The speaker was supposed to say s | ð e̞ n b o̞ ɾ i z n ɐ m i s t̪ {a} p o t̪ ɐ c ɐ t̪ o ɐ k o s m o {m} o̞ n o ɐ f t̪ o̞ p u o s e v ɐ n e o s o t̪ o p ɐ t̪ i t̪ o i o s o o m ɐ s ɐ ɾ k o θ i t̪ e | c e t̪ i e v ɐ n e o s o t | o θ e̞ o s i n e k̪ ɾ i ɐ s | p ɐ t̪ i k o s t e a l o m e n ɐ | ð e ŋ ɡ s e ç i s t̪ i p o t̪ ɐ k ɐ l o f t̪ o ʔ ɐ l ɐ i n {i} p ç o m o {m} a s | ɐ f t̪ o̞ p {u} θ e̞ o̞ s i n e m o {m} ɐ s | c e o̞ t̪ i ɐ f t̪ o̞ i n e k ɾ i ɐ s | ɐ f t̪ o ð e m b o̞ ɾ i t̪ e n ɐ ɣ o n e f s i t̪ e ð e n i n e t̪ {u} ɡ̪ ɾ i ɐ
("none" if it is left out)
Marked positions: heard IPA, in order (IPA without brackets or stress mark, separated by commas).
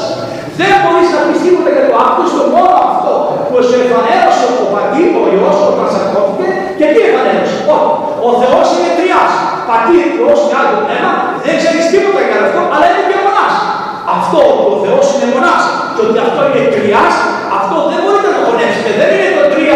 i, m, e, n, o, n, o